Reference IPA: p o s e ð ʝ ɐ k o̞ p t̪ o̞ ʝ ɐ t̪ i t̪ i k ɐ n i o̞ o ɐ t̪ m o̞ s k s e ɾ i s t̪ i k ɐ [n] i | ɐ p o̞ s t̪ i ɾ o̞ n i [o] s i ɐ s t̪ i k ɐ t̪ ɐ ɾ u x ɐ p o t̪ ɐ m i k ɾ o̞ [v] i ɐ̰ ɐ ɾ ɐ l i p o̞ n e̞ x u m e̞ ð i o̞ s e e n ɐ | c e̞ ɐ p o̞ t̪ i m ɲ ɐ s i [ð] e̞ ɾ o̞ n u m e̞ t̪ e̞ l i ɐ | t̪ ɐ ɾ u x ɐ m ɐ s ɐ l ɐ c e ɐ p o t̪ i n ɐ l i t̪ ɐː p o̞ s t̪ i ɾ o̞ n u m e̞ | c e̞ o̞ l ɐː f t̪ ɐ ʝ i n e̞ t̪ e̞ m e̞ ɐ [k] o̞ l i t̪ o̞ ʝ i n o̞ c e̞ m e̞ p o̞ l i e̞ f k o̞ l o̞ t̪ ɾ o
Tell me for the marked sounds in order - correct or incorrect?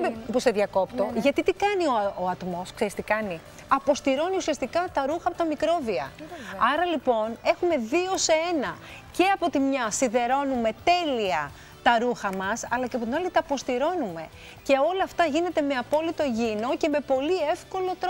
correct, incorrect, correct, correct, incorrect

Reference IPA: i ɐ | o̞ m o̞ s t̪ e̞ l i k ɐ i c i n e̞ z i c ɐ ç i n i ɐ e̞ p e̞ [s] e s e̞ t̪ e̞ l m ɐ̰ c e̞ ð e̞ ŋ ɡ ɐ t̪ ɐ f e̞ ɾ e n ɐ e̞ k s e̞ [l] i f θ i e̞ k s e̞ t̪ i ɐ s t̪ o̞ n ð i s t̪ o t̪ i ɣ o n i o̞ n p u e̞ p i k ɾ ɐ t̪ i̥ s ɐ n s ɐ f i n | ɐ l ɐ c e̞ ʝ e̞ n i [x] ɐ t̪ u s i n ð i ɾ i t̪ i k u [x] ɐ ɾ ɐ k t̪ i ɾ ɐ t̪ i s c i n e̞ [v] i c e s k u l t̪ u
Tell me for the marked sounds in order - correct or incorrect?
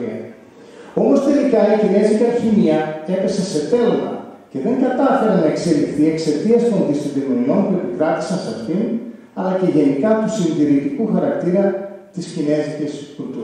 correct, correct, incorrect, correct, incorrect

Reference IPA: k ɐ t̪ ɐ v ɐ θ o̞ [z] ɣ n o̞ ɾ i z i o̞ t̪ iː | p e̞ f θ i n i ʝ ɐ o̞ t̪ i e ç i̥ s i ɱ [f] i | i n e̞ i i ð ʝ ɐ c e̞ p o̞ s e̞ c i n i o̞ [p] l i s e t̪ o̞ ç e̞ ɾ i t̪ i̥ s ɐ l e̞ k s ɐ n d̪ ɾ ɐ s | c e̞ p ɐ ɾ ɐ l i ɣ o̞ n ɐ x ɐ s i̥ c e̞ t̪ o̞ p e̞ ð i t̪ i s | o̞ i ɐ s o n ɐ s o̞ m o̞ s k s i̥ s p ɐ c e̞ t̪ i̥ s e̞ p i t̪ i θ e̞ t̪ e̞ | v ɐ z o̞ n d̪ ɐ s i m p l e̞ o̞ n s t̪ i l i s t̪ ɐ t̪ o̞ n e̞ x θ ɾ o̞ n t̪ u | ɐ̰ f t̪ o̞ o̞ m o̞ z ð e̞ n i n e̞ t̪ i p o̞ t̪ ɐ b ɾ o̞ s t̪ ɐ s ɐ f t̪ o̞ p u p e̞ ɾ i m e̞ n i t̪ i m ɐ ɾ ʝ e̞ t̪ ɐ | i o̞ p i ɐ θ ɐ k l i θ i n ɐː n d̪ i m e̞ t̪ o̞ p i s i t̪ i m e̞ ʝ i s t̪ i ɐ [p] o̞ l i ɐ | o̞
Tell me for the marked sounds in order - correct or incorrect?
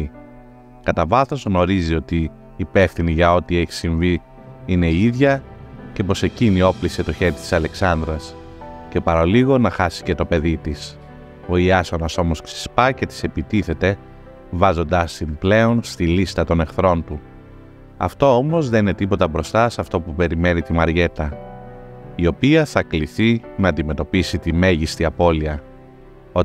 correct, incorrect, correct, correct

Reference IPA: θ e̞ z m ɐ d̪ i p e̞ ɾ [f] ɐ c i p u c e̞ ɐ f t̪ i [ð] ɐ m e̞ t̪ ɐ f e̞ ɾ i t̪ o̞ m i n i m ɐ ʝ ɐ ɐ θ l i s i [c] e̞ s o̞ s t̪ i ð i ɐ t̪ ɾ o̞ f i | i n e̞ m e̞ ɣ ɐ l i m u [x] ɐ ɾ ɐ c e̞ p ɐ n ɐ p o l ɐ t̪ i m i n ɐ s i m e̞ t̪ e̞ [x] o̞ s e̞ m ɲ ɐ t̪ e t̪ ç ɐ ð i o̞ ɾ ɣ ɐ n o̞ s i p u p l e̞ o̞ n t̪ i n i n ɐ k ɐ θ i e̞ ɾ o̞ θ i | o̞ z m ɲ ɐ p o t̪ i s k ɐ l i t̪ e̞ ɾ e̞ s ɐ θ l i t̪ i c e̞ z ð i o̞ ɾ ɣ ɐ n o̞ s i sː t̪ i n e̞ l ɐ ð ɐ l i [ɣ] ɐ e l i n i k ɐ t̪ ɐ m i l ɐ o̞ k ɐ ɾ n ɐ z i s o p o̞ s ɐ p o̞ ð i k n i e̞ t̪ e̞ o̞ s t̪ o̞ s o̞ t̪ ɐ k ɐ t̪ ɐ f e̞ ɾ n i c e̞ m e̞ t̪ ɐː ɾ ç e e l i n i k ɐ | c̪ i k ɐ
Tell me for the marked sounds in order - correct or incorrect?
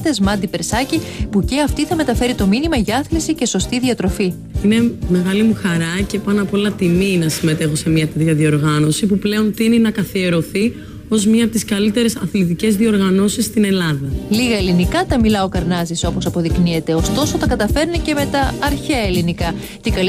incorrect, incorrect, correct, correct, correct, correct

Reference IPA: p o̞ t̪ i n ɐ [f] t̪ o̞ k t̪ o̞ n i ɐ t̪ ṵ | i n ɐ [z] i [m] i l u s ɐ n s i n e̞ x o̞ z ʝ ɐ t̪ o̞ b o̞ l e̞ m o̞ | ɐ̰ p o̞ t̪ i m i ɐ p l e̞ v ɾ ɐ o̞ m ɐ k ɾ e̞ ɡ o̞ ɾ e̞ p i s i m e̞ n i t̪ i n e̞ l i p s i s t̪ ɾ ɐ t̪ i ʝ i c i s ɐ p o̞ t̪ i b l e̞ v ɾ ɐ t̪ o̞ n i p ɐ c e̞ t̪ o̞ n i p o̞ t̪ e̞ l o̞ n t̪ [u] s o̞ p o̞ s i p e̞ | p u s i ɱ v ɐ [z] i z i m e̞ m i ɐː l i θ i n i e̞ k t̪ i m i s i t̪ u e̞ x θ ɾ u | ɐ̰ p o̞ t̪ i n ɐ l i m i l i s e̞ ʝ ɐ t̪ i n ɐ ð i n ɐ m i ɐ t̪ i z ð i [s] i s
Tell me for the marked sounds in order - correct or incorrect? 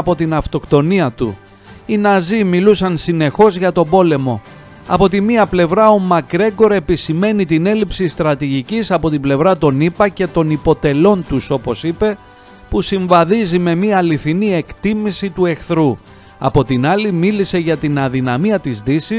correct, correct, correct, correct, incorrect, correct

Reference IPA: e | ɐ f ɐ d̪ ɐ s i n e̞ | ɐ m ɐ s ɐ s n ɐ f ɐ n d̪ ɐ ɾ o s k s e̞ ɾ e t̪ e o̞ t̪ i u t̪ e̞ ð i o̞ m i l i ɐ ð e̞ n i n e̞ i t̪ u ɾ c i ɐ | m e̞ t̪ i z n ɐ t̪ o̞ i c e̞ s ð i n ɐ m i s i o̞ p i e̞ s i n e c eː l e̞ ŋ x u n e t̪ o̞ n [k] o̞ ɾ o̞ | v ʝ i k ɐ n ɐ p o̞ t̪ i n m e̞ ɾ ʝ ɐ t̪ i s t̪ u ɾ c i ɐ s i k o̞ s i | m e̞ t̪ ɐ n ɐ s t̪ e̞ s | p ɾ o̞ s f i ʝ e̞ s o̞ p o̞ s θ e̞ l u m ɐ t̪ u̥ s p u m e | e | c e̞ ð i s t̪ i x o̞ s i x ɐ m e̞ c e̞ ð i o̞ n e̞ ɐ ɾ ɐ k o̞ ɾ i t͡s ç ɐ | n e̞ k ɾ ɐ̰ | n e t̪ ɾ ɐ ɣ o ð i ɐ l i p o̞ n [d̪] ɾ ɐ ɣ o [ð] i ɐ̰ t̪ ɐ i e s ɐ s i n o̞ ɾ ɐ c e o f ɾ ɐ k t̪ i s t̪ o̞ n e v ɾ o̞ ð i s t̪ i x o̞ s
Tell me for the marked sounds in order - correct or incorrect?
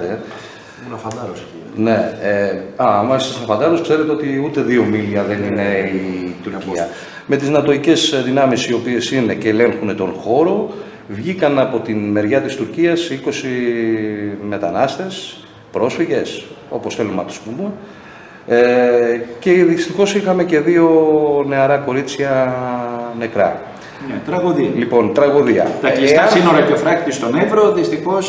incorrect, incorrect, correct

